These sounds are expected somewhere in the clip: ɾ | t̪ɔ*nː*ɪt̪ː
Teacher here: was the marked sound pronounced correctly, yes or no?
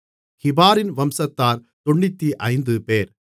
no